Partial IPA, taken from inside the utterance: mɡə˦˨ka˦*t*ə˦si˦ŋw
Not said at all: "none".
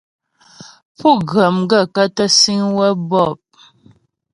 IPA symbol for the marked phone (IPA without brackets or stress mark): t